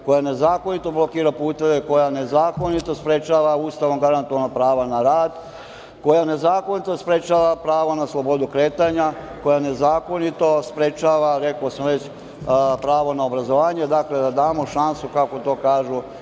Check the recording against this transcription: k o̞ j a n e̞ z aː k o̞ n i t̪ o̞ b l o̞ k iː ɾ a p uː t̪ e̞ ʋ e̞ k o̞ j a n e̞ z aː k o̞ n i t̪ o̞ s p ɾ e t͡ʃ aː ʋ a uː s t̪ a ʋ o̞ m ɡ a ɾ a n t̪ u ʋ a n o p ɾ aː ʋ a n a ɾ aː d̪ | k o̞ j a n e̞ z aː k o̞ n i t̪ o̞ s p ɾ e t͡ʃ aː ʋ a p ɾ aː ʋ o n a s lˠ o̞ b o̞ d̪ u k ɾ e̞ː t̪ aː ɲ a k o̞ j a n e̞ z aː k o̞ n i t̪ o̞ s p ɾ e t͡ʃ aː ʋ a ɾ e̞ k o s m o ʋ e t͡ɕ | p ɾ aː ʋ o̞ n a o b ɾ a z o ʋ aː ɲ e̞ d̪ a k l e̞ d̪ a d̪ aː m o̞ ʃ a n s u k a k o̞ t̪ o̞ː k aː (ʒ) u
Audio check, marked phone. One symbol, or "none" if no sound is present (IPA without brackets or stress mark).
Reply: ʒ